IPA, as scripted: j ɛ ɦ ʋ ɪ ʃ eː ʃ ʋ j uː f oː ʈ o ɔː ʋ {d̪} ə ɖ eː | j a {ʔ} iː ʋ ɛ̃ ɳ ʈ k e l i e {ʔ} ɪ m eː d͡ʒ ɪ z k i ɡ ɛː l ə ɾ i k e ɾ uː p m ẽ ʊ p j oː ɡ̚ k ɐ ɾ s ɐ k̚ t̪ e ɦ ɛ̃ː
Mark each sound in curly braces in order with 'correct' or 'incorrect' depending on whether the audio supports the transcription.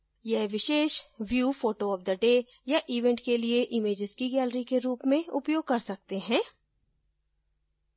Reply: correct, correct, correct

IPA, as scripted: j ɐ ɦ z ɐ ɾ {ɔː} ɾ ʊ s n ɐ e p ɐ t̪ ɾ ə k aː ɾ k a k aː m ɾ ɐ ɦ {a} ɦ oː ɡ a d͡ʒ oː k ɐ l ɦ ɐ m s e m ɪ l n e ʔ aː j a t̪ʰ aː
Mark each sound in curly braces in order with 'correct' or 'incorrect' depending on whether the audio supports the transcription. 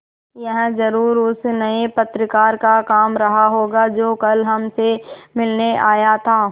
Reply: incorrect, correct

